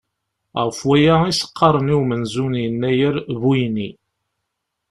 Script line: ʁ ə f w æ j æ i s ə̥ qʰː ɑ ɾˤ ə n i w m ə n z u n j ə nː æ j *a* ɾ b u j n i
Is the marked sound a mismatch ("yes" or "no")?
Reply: yes